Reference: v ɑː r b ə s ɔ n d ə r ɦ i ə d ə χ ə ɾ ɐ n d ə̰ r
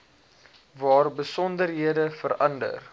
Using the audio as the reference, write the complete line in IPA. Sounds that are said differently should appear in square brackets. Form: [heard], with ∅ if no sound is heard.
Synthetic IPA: v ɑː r b ə s ɔ n d ə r ɦ i ə d ə [f] ə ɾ ɐ n d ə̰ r